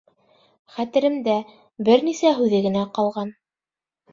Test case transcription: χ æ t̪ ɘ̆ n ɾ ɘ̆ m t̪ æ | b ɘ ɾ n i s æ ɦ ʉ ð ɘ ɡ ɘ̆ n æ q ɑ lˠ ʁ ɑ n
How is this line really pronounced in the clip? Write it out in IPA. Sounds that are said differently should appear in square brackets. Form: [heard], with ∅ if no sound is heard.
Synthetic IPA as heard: χ æ t̪ ɘ̆ [∅] ɾ ɘ̆ m [d̪] æ | b ɘ ɾ n i s æ ɦ ʉ ð ɘ ɡ ɘ̆ n æ q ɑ lˠ ʁ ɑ n

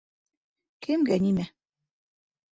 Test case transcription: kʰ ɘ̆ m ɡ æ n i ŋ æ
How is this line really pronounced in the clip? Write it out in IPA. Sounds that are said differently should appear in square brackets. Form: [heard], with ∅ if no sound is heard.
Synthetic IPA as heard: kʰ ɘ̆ m ɡ æ n i [m] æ

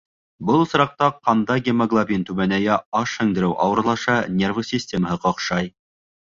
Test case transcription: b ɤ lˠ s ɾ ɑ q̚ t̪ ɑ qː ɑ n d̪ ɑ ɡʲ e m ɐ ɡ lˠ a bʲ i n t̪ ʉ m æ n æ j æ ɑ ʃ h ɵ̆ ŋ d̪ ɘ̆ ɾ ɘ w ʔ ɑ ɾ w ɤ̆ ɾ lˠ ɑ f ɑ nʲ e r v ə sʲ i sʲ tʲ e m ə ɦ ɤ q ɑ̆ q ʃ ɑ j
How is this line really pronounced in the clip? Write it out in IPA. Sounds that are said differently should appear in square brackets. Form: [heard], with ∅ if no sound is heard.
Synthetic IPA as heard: b ɤ lˠ s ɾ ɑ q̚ t̪ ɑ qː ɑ n d̪ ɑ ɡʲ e m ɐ ɡ lˠ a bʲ i n t̪ ʉ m æ n æ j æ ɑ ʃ h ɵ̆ ŋ d̪ ɘ̆ ɾ ɘ w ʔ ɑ [∅] w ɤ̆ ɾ lˠ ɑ [ʃ] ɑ nʲ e r v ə sʲ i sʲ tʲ e m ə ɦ ɤ q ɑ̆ q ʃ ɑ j

